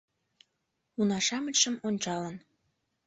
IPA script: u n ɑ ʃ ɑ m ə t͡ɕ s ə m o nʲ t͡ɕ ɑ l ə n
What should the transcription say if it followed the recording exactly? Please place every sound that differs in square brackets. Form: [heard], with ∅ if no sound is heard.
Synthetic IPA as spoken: u n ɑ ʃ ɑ m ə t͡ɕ [ʃ] ə m o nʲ t͡ɕ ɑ l ə n